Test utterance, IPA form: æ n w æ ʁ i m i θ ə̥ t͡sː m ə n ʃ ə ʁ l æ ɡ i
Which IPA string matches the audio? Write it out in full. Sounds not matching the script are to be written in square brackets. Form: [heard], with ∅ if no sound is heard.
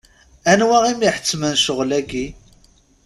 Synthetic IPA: æ n w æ ʁ i m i [ħ] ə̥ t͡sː m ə n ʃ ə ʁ l æ ɡ i